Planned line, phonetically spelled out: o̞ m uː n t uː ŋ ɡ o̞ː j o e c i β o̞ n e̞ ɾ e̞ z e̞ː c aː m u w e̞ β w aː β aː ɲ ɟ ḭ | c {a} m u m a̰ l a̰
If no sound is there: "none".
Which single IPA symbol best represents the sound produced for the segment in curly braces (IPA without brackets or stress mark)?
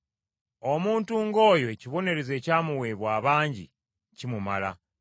i